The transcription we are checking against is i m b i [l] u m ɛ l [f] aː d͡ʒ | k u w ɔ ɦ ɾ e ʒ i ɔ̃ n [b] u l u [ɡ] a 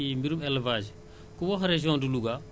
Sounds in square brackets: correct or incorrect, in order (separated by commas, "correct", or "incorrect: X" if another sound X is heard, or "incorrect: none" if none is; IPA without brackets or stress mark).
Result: incorrect: ɾ, incorrect: v, incorrect: d, correct